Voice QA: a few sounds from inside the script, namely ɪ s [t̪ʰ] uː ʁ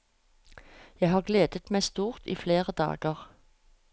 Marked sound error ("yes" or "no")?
yes